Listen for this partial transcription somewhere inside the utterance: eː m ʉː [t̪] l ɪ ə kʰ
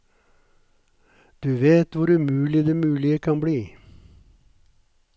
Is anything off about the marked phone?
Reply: yes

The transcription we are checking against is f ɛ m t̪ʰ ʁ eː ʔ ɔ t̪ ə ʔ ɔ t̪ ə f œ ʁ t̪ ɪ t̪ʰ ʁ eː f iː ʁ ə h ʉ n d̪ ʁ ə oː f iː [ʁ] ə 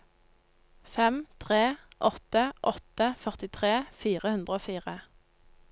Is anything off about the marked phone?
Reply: no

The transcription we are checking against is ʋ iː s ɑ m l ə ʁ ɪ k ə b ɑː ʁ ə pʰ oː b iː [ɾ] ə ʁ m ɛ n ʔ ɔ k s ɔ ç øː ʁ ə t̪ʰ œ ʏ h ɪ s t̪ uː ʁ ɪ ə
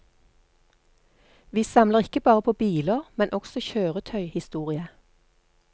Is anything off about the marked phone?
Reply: yes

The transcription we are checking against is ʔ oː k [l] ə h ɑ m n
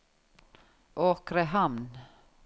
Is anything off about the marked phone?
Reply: yes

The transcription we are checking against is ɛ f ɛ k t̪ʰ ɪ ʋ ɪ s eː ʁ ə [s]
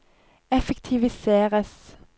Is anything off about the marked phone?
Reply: no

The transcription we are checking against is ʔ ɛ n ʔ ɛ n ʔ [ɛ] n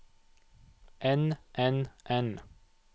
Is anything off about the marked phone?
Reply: no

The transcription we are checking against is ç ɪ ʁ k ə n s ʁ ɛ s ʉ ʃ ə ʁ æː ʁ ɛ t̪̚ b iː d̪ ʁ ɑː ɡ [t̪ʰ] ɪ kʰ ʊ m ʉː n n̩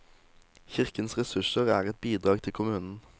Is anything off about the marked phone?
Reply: no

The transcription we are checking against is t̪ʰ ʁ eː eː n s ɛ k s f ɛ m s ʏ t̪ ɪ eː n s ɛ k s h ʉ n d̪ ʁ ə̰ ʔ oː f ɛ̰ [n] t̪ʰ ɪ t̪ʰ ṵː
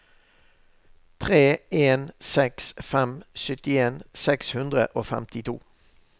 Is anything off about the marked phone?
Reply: yes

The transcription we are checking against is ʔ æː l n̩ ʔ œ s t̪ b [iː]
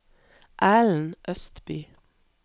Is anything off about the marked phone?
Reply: yes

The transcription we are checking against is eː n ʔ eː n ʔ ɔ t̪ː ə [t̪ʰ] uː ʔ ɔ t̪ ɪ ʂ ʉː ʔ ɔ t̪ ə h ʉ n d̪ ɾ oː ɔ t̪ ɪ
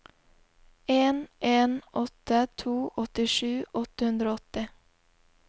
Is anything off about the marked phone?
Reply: no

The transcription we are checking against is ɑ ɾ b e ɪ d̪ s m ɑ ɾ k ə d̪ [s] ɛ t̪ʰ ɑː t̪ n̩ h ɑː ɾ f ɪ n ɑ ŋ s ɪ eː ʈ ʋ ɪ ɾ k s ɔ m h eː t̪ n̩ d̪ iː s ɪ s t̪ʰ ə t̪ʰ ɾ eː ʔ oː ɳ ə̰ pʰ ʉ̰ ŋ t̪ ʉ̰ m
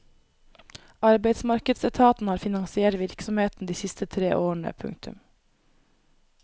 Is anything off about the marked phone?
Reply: no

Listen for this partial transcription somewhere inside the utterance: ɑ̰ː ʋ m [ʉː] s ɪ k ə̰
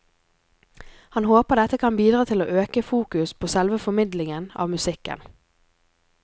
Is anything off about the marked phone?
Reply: yes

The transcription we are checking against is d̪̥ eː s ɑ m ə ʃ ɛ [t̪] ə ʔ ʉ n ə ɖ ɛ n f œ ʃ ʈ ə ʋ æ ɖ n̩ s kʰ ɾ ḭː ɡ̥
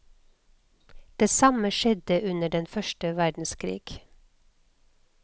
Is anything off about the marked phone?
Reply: yes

